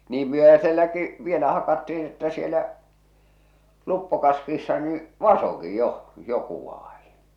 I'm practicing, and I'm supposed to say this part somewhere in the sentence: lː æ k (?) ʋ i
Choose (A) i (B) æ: A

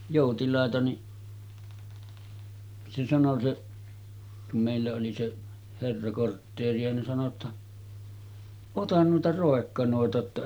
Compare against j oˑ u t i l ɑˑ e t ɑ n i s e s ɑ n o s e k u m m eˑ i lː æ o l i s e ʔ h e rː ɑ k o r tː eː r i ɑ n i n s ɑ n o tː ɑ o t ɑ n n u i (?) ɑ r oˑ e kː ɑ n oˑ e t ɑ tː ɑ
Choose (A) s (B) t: B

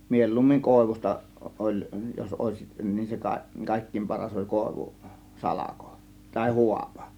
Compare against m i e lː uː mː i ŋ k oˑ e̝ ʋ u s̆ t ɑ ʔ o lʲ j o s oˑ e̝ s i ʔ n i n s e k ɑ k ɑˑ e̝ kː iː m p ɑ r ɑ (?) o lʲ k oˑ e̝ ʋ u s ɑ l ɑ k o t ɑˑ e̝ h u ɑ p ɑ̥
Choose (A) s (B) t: A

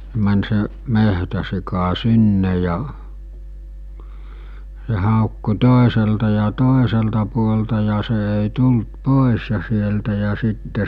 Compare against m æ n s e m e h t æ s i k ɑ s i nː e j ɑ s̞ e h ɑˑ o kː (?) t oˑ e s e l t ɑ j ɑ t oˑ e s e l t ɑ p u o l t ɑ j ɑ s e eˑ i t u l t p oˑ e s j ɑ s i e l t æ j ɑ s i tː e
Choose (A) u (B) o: A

